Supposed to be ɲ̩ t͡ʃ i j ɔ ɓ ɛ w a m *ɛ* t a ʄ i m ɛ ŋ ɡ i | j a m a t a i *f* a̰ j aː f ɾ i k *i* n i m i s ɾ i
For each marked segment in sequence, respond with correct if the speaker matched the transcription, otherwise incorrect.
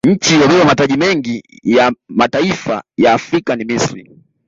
incorrect: a, correct, incorrect: a

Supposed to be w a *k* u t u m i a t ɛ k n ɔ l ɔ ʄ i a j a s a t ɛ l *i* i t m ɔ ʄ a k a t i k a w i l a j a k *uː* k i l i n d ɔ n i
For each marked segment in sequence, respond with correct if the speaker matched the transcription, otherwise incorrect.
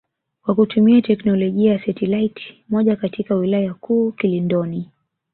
correct, incorrect: a, correct

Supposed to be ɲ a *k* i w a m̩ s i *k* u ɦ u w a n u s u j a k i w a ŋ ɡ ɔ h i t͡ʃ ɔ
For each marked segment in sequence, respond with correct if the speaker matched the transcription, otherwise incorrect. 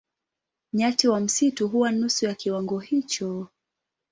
incorrect: t, incorrect: t

